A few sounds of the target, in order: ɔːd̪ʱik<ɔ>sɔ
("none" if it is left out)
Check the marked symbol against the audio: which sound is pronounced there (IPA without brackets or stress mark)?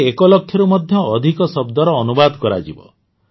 ɔ